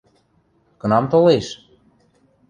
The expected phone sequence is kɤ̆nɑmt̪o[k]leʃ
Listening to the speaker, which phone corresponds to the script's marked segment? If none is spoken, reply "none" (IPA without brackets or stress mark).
none